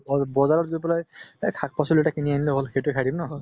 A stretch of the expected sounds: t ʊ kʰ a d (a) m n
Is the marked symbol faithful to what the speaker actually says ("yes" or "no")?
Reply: no